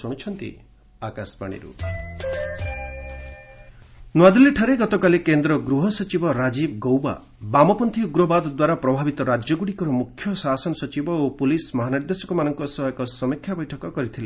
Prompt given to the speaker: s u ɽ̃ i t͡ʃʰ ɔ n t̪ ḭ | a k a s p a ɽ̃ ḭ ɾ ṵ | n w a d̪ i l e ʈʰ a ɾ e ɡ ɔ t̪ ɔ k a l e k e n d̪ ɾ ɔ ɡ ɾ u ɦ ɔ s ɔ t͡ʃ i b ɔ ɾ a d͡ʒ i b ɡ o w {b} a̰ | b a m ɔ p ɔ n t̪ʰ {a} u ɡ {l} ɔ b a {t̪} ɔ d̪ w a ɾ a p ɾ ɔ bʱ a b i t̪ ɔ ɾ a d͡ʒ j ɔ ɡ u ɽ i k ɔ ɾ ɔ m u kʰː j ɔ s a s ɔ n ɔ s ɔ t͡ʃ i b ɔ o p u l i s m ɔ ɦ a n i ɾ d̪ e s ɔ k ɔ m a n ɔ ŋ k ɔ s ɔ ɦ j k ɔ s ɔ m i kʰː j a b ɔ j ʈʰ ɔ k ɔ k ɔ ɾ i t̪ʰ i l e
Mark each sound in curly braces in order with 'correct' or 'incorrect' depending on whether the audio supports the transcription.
correct, incorrect, incorrect, incorrect

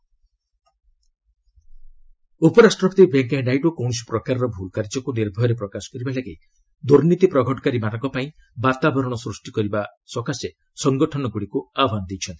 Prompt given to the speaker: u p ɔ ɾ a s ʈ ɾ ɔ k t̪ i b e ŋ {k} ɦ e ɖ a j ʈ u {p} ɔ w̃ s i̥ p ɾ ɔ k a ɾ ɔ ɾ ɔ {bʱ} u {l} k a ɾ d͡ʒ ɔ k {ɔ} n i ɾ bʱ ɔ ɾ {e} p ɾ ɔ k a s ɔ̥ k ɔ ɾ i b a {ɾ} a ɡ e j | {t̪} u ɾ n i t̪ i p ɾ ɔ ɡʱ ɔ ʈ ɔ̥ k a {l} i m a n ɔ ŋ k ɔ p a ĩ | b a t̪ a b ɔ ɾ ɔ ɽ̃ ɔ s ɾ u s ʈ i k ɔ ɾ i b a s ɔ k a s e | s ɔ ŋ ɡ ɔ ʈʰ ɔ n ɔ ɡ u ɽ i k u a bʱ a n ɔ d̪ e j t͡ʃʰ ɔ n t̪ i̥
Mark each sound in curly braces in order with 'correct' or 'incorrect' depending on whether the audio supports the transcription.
correct, incorrect, correct, correct, incorrect, correct, incorrect, incorrect, incorrect

